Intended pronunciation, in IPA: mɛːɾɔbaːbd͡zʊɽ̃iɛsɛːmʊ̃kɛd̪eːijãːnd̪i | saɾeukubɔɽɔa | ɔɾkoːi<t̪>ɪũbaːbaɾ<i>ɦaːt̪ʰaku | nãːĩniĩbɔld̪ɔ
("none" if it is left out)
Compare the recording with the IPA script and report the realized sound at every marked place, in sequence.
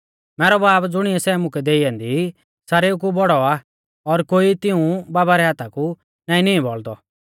t̪, ɛ

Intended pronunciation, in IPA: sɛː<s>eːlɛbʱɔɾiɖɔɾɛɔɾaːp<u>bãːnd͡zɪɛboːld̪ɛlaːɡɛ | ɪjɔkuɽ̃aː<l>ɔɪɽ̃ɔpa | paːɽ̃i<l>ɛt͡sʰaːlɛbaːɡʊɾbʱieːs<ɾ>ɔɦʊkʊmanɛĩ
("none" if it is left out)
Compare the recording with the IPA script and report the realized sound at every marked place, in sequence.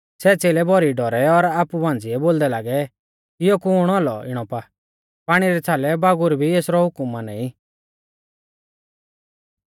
t͡s, u, l, ɾ, ɾ

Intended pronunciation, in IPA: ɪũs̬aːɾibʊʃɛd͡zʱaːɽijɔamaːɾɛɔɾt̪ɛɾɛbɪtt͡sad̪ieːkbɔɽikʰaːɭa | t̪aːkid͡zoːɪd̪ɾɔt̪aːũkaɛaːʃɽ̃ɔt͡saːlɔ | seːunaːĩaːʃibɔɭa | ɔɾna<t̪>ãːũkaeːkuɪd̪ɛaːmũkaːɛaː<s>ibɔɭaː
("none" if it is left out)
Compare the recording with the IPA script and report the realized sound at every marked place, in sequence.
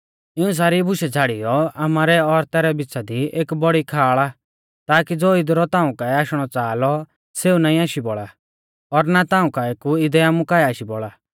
t̪, ʃ

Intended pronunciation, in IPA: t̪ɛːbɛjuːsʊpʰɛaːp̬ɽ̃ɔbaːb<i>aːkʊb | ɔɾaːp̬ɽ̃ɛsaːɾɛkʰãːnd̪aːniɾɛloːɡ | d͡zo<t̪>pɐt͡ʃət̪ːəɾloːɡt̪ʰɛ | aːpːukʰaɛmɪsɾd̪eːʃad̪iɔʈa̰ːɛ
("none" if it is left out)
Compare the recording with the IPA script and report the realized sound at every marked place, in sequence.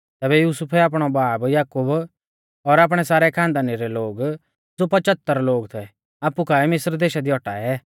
j, none

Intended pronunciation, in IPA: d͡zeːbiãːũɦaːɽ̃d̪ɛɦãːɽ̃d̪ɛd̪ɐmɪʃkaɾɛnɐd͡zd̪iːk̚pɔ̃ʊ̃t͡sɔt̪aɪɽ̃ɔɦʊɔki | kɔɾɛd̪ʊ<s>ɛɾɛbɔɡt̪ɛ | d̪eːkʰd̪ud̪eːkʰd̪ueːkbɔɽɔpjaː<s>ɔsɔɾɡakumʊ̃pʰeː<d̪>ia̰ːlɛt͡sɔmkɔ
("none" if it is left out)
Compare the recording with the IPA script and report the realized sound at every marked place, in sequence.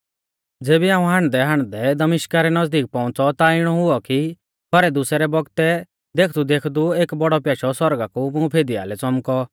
s, ʃ, d̪

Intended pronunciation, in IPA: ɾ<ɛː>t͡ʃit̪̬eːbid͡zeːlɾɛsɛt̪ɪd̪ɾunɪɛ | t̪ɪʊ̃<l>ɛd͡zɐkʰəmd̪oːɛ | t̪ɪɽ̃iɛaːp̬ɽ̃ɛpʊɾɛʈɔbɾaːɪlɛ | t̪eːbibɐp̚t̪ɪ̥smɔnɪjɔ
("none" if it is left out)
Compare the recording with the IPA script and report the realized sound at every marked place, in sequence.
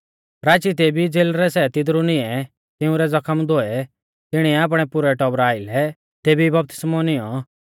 aː, ɾ

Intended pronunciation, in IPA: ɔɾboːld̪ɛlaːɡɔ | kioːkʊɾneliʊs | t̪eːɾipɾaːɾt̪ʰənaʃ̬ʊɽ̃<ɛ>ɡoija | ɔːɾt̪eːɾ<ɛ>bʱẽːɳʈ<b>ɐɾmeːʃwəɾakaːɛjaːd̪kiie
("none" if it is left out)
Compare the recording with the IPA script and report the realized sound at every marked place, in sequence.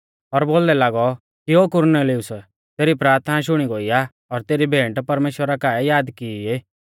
i, i, p

